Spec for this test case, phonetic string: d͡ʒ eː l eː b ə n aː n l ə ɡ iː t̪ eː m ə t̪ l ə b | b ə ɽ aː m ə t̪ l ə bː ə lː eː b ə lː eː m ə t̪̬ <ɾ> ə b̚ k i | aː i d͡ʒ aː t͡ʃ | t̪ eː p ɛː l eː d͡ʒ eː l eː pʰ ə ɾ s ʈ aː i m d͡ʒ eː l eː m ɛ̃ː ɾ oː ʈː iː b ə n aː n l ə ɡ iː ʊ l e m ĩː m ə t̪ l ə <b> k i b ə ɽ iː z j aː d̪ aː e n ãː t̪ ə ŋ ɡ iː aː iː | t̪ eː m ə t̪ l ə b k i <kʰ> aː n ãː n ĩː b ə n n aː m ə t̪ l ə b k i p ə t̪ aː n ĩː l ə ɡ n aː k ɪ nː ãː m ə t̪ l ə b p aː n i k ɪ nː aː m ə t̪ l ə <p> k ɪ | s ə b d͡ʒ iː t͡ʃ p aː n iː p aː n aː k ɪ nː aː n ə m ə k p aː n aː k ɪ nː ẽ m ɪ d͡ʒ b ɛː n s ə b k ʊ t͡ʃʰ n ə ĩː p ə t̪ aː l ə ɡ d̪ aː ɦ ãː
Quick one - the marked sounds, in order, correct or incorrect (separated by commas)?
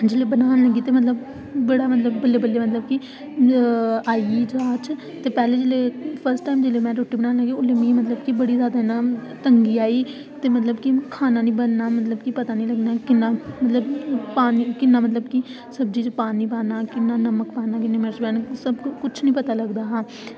incorrect, correct, correct, incorrect